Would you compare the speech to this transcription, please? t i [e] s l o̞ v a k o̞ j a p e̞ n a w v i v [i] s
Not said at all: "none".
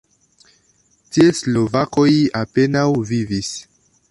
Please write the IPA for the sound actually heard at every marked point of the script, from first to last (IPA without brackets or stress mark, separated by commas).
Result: e, i